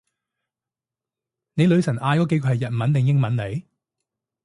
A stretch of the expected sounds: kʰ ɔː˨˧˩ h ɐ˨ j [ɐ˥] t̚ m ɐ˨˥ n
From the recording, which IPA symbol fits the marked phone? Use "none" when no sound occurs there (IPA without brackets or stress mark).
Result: ɐ˨